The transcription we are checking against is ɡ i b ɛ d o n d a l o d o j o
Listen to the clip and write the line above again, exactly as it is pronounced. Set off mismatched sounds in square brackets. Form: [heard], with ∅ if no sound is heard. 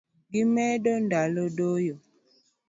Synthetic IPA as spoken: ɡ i [m] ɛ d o n d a l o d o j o

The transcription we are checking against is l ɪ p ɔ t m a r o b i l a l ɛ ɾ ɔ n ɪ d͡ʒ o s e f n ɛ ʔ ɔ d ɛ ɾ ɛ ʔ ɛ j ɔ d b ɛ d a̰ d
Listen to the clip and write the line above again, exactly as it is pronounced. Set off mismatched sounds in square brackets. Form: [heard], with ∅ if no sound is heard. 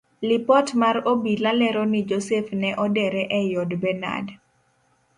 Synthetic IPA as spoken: l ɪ p ɔ t m a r o b i l a l ɛ ɾ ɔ n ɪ d͡ʒ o s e f n ɛ ʔ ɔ d ɛ ɾ ɛ ʔ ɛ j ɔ d b ɛ [n] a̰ d

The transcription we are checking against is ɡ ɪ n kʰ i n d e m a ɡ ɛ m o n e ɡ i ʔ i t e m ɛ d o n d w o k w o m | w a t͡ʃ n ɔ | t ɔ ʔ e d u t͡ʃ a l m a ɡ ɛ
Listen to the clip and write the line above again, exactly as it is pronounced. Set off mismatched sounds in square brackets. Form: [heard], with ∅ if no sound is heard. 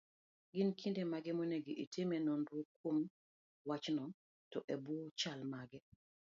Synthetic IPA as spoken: ɡ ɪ n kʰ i n d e m a ɡ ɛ m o n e ɡ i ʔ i t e m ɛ [n] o n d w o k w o m | w a t͡ʃ n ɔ | t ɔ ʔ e [b] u t͡ʃ a l m a ɡ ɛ

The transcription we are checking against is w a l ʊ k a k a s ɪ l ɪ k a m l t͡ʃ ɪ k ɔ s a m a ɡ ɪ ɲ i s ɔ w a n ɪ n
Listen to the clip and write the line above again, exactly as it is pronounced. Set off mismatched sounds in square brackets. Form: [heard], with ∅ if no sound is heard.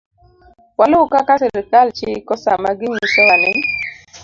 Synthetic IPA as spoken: w a l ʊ k a k a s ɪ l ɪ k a [∅] l t͡ʃ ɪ k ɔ s a m a ɡ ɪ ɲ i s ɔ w a n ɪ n

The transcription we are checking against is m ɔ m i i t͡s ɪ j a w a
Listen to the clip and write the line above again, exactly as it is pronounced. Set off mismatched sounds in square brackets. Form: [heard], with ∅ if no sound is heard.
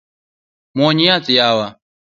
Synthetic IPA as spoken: m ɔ [ɲ] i [a] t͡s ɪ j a w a

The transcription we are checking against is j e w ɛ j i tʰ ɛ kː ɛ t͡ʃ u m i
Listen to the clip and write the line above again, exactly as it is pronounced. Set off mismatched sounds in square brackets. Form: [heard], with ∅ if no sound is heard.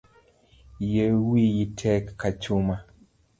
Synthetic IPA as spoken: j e w [i] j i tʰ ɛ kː [a] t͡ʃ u m [a]

